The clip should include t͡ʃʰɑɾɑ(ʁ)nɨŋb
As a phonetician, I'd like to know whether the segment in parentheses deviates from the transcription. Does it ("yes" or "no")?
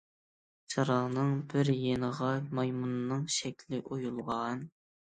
no